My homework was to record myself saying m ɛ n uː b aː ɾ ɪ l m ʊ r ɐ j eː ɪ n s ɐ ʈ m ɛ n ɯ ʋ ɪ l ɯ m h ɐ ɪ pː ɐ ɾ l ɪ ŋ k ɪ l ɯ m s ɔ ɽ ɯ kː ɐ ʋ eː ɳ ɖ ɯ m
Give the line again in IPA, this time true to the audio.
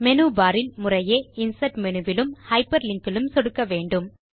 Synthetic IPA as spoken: m ɛ n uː b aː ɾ ɪ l m ʊ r ɐ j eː ɪ n s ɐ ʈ m ɛ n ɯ ʋ ɪ l ɯ m h ɐ ɪ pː ɐ ɾ l ɪ ŋ k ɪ l ɯ m s ɔ ɽ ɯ kː ɐ ʋ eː ɳ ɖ ɯ m